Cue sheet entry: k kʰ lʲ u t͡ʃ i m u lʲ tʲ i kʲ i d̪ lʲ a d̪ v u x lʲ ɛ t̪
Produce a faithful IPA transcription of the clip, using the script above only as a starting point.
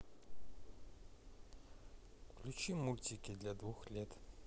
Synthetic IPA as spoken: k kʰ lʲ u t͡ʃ i m u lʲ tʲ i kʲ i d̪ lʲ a d̪ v u x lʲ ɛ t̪